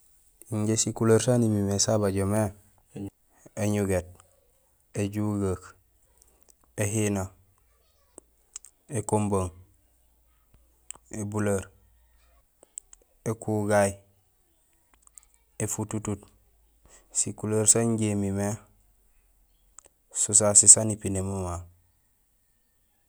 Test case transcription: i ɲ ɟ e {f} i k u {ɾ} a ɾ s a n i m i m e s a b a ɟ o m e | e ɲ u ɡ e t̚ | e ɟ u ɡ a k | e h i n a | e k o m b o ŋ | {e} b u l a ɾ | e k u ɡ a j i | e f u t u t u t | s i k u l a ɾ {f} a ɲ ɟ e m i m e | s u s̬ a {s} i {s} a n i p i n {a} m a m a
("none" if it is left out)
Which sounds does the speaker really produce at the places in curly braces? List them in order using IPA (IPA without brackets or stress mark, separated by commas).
s, l, e, s, s, s, e